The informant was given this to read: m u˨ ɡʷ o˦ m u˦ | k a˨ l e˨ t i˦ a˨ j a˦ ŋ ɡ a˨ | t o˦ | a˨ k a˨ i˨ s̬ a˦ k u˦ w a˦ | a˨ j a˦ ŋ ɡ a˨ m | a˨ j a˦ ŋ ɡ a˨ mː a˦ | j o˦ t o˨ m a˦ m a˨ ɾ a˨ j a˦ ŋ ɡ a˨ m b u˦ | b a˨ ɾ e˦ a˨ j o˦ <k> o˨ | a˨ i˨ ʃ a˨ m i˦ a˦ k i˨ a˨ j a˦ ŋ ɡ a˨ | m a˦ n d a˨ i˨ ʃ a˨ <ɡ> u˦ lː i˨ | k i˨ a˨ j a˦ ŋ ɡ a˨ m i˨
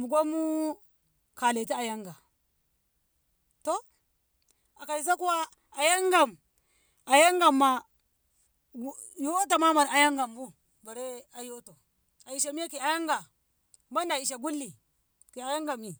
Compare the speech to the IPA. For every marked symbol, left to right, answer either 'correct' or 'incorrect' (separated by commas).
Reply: incorrect, correct